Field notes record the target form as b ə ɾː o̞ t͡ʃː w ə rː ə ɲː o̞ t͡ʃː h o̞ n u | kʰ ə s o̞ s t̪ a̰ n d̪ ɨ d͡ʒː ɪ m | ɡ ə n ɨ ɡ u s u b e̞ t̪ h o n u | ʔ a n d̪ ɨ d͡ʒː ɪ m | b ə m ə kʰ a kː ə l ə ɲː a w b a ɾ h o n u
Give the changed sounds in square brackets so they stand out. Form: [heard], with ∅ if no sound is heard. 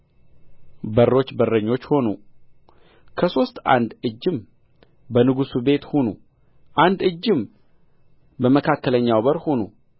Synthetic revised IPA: b ə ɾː o̞ t͡ʃː [b] ə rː ə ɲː o̞ t͡ʃː h o̞ n u | kʰ ə s o̞ s t̪ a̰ n d̪ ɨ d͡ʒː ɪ m | [b] ə n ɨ ɡ u s u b e̞ t̪ h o n u | ʔ a n d̪ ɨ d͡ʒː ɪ m | b ə m ə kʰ a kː ə l ə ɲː a w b [ə] ɾ h o n u